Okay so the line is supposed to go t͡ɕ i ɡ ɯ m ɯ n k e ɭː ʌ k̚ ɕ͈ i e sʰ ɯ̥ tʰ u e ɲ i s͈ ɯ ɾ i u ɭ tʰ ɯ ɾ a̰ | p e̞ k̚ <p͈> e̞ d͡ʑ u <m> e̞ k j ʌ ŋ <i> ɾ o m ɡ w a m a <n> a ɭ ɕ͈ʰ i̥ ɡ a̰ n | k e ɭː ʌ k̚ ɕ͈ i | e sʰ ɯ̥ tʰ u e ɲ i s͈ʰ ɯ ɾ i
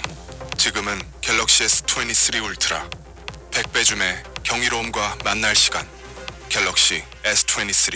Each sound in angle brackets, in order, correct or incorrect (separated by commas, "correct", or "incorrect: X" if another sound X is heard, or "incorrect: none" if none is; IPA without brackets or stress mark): correct, correct, correct, incorrect: nː